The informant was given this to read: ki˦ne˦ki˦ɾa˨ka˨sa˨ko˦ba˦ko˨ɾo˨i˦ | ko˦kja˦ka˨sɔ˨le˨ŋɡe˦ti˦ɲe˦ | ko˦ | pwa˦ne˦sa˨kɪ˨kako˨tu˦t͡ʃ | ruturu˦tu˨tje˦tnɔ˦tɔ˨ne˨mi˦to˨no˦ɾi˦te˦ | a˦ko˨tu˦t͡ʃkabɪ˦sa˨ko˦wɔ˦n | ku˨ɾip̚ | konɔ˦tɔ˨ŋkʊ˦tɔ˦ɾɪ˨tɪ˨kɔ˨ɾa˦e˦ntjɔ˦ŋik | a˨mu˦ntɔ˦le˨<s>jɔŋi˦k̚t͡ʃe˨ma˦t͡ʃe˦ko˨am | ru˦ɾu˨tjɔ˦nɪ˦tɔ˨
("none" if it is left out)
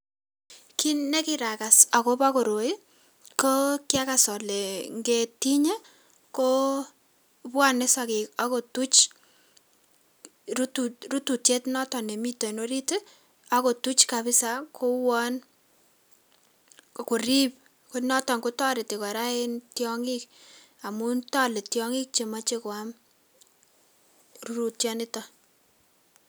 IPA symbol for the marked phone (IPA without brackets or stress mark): t